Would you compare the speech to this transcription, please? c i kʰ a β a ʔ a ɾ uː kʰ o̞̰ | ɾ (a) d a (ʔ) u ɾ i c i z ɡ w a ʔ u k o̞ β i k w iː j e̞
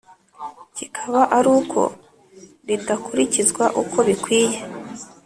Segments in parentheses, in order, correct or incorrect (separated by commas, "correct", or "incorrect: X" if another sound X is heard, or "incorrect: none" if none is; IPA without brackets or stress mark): incorrect: i, incorrect: k